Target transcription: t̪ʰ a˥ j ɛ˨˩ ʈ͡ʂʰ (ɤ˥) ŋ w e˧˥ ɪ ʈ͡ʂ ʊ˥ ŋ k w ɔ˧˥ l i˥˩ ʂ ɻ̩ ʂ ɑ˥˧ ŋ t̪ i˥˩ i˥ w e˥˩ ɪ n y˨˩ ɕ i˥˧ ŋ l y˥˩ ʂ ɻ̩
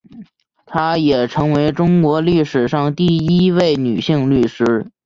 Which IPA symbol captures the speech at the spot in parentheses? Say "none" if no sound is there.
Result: ɤ˧˥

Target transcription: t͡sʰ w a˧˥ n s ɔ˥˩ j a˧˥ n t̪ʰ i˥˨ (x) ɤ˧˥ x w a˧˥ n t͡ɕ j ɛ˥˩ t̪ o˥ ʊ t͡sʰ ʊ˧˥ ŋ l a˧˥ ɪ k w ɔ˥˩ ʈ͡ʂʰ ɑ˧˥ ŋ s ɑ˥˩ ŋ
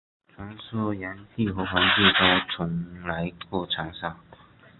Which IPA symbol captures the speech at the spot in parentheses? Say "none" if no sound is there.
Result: x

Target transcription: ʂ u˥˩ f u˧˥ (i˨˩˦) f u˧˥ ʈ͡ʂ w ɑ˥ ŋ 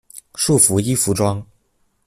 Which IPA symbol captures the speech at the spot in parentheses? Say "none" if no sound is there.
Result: i˥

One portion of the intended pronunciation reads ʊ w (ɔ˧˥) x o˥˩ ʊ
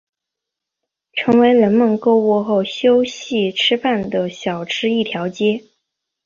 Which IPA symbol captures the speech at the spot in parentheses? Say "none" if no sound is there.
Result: ɔ˥˧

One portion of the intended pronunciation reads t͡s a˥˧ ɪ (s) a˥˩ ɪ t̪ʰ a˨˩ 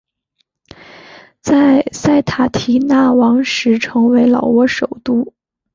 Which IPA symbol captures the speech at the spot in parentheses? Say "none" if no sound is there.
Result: s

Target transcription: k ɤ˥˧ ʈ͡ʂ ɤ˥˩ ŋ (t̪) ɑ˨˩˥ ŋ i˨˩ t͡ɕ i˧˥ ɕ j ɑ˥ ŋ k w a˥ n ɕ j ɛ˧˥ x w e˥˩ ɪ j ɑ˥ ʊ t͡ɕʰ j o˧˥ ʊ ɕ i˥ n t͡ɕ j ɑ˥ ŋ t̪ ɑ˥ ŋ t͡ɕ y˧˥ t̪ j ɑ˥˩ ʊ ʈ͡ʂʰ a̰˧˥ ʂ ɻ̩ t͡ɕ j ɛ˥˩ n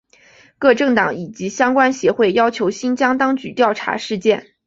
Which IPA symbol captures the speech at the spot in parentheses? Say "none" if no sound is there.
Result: t̪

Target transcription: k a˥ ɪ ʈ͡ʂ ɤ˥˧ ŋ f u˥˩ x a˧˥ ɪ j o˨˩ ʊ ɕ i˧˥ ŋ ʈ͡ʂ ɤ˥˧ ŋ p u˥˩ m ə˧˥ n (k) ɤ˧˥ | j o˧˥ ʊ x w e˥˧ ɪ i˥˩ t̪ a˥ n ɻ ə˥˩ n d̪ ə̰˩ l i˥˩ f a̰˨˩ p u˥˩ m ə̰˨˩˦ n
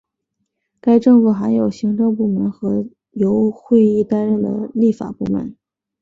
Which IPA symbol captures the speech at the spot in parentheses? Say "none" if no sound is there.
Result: x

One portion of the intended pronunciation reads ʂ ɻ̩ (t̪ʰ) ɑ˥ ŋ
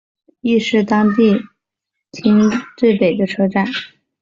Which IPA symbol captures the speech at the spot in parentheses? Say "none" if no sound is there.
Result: t̪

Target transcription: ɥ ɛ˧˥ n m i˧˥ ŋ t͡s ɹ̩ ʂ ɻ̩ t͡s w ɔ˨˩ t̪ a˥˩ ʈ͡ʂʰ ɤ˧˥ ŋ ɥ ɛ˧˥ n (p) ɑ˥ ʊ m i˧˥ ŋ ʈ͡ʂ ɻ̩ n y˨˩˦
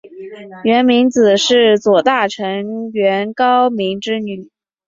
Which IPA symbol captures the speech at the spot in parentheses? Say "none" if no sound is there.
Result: k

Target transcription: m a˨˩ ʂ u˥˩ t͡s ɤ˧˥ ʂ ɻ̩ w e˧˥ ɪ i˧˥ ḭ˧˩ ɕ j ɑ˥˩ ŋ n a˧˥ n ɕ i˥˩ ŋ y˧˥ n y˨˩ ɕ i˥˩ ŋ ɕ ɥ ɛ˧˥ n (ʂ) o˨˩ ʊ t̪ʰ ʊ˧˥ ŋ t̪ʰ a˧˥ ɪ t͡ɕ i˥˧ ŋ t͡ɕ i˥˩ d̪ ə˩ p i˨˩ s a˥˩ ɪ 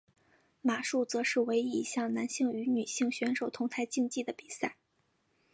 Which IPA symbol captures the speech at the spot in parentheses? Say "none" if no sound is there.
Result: ʂ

